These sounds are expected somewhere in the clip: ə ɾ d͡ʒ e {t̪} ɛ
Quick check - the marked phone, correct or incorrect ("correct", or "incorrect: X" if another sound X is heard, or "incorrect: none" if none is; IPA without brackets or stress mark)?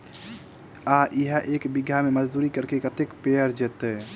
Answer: correct